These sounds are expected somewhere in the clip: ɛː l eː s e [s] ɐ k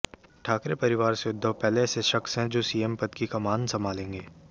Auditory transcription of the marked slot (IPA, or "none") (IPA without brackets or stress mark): ʃ